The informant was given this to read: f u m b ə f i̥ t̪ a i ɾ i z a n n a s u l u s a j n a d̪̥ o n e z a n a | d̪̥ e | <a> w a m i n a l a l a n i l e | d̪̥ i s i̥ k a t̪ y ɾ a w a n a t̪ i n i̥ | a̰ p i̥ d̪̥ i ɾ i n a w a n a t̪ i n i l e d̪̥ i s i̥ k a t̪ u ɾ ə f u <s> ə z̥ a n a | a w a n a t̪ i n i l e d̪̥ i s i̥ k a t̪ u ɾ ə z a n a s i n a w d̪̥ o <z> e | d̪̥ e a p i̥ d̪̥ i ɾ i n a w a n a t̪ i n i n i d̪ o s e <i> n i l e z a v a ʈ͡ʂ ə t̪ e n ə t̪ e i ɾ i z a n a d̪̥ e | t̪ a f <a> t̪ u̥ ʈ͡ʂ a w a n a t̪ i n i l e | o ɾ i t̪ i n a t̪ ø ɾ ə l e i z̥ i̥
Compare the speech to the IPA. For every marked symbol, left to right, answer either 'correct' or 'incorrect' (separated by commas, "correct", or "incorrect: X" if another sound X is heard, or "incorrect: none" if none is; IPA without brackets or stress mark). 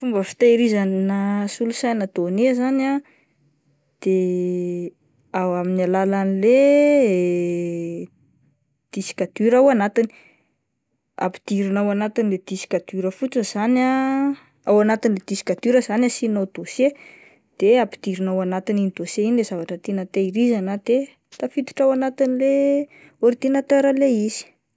correct, incorrect: t͡s, incorrect: s, correct, incorrect: i